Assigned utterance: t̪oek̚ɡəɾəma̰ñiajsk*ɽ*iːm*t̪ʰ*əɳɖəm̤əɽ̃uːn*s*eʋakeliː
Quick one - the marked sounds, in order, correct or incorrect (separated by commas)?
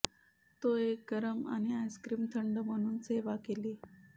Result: incorrect, correct, correct